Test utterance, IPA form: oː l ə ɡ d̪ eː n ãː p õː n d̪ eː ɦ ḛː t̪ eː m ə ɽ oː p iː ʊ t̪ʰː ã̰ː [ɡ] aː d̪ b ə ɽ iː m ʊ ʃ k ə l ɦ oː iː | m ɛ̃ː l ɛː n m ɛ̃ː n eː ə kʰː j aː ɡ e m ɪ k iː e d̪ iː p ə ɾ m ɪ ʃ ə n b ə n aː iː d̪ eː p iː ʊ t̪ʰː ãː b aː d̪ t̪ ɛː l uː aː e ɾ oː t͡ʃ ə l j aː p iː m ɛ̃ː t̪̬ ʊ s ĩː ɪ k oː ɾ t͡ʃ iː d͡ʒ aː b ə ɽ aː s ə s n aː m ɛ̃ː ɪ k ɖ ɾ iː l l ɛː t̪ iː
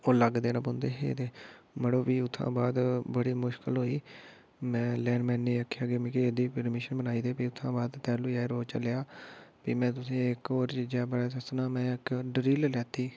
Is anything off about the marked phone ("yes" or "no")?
yes